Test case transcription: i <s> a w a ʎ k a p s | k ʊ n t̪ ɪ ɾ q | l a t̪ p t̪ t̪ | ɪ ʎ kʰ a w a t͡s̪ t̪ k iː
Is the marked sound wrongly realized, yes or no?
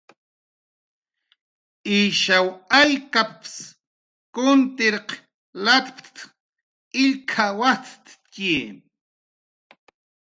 yes